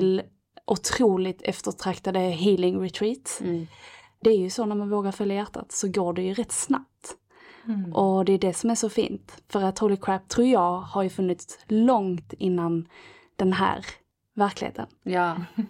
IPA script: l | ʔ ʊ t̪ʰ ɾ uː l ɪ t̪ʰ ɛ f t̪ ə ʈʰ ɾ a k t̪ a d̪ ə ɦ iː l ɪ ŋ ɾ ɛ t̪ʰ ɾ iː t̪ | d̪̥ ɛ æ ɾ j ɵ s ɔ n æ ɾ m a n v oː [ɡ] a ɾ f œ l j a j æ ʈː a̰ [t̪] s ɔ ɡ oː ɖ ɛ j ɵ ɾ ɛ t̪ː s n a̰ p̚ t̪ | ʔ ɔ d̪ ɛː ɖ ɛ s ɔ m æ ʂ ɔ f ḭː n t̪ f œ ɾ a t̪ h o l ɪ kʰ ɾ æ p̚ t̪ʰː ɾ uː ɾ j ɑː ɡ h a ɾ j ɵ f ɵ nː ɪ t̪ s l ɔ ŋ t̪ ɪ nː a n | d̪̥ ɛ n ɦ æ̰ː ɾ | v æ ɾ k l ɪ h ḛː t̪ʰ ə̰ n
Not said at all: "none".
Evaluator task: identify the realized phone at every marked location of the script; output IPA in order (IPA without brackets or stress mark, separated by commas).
ɡ, t̪